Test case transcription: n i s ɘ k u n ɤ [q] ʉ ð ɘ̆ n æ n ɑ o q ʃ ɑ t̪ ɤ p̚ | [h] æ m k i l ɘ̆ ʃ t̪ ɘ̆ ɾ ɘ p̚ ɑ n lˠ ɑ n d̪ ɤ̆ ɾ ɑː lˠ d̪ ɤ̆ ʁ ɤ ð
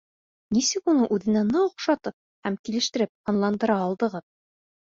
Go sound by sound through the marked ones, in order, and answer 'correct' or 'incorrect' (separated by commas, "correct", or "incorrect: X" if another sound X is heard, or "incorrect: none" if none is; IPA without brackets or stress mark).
incorrect: ʔ, correct